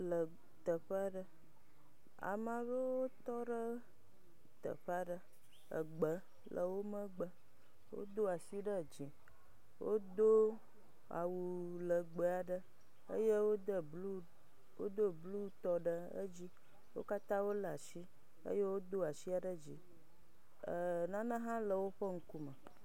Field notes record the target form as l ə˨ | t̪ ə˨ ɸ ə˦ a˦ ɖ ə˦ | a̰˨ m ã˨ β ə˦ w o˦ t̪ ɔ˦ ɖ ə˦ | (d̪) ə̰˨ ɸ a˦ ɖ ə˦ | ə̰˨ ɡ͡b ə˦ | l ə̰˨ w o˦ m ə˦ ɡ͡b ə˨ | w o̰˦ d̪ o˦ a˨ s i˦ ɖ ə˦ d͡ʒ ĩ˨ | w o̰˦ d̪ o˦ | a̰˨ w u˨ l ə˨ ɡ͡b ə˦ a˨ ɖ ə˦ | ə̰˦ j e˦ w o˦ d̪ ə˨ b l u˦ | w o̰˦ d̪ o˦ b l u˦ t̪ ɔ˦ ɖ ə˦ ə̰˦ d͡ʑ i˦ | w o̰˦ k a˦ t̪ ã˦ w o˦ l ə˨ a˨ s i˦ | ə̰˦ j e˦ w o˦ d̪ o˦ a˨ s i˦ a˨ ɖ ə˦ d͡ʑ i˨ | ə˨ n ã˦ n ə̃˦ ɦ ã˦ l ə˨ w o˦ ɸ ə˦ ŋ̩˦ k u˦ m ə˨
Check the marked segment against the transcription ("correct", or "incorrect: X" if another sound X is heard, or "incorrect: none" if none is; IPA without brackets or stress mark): incorrect: t̪